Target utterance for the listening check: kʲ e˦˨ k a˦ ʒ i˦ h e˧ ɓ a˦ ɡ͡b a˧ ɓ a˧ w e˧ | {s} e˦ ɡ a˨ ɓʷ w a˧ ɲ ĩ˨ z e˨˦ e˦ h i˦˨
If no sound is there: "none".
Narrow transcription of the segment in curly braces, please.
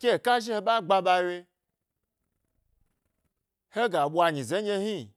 h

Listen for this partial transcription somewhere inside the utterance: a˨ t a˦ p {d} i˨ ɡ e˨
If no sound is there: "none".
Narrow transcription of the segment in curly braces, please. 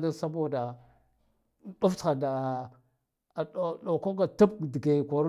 d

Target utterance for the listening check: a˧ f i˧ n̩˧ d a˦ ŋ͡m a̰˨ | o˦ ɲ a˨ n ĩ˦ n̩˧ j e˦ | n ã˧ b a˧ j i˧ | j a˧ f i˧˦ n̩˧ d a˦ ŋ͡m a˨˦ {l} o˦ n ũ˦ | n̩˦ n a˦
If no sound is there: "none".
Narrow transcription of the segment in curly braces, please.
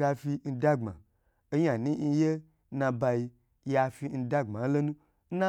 l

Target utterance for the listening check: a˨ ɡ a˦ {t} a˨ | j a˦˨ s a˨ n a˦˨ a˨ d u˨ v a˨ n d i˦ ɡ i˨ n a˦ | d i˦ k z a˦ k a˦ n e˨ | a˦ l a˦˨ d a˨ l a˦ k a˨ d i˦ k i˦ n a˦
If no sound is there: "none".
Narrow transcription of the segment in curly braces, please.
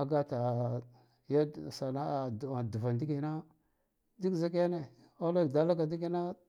t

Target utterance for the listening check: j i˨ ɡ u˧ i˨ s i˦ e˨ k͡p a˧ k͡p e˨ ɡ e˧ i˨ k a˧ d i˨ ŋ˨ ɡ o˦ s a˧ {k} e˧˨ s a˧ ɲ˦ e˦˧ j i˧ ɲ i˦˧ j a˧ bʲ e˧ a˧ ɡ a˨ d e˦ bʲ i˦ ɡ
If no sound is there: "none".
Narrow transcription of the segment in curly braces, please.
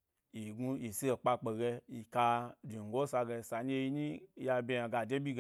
ɡ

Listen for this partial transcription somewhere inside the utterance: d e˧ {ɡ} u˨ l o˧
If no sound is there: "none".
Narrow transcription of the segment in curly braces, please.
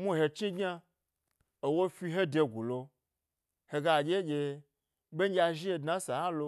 ɡ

